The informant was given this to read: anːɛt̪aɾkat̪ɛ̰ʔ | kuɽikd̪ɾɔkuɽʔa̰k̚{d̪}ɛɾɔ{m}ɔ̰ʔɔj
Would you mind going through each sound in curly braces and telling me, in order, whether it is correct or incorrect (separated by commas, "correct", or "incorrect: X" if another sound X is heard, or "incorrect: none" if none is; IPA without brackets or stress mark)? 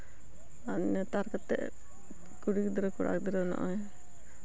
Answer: correct, incorrect: n